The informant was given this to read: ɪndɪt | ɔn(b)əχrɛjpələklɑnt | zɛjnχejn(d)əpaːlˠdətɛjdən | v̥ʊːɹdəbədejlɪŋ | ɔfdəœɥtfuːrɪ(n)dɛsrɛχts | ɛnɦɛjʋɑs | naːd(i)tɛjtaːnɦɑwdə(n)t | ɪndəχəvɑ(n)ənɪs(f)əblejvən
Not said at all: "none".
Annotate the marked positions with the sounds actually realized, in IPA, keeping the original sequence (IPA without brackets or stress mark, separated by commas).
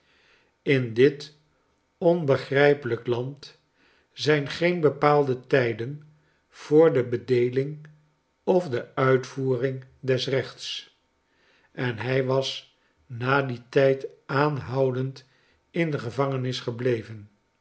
b, b, ŋ, i, n, ŋ, χ